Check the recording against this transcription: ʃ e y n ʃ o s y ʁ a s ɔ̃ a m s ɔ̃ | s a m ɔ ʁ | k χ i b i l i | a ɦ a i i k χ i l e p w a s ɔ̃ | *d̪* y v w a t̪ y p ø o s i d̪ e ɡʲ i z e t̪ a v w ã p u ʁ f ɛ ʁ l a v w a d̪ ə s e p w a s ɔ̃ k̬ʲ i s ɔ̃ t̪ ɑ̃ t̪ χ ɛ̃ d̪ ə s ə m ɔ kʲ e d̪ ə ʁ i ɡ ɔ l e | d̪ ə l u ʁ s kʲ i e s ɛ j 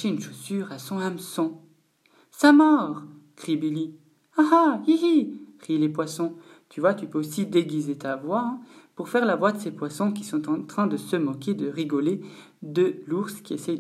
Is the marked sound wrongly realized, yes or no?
yes